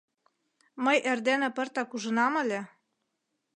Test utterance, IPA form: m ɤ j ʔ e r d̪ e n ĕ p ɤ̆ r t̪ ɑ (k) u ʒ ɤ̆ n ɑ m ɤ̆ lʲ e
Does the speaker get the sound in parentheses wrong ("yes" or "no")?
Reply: no